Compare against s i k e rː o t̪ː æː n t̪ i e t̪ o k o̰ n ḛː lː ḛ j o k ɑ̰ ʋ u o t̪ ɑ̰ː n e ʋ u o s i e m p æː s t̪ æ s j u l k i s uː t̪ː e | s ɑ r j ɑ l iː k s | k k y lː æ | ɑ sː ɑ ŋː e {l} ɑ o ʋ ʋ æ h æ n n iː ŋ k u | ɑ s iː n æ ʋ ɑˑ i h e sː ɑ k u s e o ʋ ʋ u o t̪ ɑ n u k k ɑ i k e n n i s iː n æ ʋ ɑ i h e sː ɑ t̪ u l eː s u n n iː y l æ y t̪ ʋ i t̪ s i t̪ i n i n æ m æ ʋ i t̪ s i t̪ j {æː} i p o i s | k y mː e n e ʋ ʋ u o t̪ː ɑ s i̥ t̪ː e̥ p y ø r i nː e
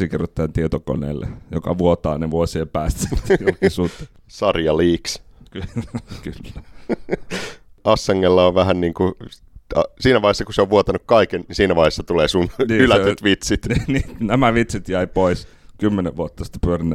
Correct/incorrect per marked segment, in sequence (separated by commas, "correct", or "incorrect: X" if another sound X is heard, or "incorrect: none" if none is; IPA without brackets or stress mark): incorrect: lː, incorrect: æ